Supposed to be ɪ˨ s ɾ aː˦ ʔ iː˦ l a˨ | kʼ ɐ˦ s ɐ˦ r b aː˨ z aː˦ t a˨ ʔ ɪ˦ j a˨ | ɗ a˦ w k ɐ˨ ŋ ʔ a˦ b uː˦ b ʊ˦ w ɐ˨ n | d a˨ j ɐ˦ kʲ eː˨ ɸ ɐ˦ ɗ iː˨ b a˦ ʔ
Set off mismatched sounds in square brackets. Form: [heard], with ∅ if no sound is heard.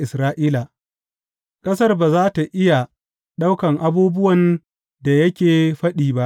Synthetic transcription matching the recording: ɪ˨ s ɾ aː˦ ʔ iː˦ l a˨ | kʼ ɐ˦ s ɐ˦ r b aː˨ z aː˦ t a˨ ʔ ɪ˦ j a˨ | ɗ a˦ w k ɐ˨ ŋ ʔ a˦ b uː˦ b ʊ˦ w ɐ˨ n | d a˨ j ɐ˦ kʲ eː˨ ɸ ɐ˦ ɗ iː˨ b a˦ ʔ